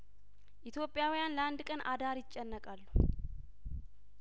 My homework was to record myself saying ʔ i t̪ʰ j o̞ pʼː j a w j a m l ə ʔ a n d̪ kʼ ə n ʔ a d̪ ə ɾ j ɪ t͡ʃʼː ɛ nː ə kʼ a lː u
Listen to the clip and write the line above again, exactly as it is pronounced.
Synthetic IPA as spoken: ʔ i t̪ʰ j o̞ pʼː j a w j a n l ə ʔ a n d̪ kʼ ə n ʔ a d̪ a ɾ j ɪ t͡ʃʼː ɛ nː ə kʼ a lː u